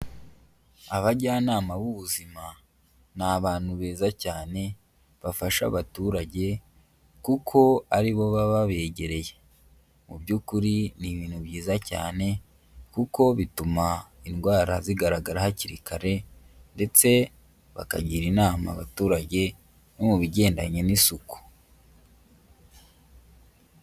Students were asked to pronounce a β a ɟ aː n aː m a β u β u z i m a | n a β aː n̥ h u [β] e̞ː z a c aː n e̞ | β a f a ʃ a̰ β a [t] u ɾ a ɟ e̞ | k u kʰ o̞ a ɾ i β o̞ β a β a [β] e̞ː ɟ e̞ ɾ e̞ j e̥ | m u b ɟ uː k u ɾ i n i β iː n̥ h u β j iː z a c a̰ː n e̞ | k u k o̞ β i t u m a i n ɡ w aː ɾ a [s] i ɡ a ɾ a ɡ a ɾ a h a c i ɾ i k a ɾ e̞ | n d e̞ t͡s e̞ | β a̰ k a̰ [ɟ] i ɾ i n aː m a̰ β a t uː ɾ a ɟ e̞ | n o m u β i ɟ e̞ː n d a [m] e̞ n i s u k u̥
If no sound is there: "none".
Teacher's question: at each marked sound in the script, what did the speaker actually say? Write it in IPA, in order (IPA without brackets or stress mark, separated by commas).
β, t, β, z, ɟ, ɲ